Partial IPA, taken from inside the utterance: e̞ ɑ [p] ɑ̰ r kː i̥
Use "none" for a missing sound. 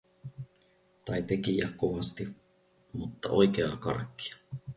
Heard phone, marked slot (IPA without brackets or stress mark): k